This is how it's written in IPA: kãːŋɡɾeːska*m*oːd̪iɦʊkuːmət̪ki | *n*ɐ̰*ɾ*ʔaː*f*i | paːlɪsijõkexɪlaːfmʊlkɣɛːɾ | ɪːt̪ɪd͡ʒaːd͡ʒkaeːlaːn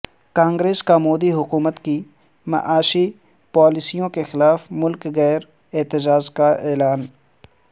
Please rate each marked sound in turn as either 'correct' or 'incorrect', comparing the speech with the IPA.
correct, incorrect: m, incorrect: none, incorrect: ʃ

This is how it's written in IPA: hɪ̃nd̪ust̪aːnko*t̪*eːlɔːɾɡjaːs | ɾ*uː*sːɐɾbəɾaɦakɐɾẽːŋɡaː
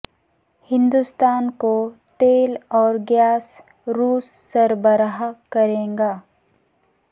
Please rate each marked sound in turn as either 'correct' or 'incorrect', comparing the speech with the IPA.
correct, correct

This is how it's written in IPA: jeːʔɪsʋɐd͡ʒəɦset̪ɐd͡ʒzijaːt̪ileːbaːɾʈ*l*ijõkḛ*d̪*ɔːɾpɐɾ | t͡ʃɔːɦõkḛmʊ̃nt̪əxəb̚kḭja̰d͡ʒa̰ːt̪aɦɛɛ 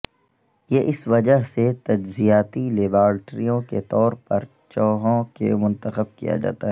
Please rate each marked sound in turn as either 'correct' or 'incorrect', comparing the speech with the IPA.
incorrect: ɾ, incorrect: t̪

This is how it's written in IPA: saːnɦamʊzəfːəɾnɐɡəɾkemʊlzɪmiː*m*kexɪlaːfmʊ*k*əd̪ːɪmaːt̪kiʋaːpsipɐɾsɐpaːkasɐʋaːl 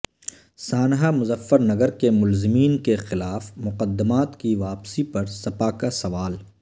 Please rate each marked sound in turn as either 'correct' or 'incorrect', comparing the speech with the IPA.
incorrect: n, incorrect: q

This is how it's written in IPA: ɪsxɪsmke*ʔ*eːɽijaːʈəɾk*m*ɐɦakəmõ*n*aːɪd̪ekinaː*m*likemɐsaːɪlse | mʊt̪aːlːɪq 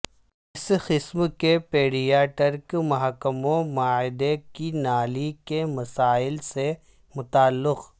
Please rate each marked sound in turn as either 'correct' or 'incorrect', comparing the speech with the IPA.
incorrect: p, correct, incorrect: m, incorrect: none

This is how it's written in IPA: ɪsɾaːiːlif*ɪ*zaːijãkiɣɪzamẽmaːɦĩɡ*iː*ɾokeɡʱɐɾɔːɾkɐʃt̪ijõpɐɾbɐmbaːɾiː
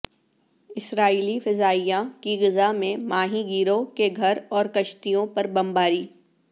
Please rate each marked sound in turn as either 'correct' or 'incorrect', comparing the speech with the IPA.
correct, correct

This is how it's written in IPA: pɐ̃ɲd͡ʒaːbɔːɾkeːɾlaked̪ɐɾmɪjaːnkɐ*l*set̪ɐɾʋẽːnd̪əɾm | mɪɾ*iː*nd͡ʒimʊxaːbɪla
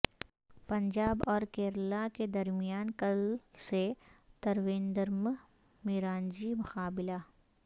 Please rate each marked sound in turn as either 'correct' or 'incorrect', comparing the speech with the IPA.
correct, incorrect: aː

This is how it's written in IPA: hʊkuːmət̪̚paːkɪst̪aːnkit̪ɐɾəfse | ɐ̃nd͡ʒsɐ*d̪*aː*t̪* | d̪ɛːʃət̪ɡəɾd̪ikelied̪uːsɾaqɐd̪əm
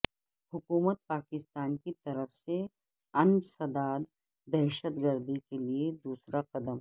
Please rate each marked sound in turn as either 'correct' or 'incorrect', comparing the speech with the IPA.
correct, incorrect: d̪

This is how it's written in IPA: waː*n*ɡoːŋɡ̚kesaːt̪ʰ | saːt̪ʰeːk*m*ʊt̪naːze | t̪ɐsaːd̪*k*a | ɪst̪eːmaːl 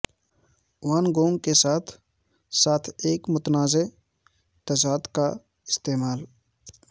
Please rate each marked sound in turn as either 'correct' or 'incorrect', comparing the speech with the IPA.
correct, correct, correct

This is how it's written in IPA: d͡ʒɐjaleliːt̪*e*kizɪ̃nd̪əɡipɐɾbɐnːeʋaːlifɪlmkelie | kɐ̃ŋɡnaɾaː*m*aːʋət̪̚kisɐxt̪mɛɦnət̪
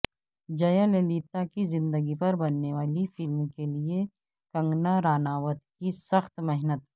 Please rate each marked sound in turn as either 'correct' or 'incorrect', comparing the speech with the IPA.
incorrect: a, incorrect: n

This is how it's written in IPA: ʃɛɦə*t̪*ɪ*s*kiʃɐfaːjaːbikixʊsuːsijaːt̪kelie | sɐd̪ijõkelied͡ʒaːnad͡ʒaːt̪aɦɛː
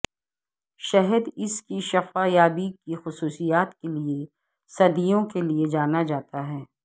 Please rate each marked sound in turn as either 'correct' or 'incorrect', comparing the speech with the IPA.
incorrect: d̪, correct

